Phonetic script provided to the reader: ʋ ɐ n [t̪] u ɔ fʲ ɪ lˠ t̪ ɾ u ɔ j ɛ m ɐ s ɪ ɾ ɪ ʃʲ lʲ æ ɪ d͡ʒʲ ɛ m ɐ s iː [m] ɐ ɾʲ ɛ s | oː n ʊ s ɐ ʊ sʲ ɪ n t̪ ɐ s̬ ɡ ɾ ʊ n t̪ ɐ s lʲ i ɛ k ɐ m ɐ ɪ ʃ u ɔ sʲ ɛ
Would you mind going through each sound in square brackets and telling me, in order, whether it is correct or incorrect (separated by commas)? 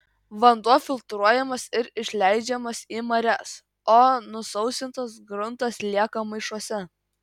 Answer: incorrect, correct